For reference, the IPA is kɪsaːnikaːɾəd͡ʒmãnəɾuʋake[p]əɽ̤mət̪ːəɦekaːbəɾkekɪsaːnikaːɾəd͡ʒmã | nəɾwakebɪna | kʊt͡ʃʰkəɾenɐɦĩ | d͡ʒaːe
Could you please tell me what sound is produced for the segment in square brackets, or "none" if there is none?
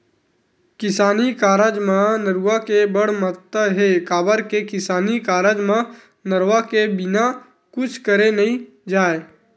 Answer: b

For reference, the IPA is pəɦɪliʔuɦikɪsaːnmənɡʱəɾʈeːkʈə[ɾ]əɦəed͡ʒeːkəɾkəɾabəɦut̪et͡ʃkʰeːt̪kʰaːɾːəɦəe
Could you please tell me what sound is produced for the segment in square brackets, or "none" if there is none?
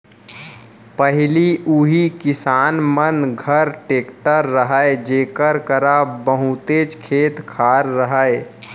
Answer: ɾː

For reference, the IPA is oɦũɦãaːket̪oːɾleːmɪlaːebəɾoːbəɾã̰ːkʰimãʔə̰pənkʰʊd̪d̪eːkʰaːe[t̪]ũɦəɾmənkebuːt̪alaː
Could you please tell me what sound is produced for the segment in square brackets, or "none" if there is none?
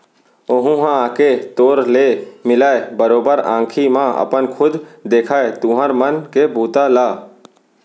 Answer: t̪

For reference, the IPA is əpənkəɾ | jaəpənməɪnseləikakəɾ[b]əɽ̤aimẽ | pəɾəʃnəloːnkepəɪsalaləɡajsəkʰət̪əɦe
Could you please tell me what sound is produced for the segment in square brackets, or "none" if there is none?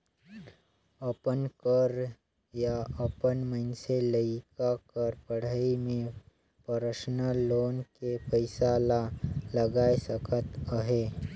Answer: p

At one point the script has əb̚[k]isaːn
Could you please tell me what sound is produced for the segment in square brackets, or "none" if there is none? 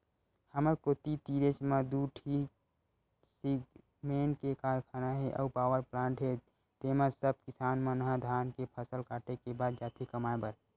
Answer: k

